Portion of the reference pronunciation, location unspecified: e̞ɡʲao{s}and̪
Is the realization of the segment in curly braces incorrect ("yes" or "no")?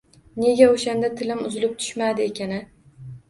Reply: yes